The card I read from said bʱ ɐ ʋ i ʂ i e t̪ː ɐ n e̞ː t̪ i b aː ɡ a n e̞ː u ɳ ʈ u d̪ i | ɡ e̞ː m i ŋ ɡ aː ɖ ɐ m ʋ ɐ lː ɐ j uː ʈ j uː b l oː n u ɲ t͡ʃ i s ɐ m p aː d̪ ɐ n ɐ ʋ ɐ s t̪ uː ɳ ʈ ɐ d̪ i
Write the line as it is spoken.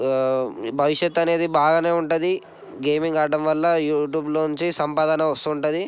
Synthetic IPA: bʱ ɐ ʋ i ʂ j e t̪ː ɐ n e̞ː d̪ i b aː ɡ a n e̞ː u ɳ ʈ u d̪ i | ɡ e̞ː m i ŋ ɡ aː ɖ ɐ m ʋ ɐ lː ɐ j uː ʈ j uː b l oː n u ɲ t͡ʃ i s ɐ m p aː d̪ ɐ n ɐ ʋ ɐ s t̪ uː ɳ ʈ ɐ d̪ i